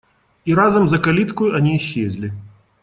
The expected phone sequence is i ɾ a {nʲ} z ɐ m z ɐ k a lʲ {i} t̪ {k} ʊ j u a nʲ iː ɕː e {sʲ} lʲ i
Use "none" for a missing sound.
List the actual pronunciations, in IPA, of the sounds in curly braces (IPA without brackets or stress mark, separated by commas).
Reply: none, i, k, zʲ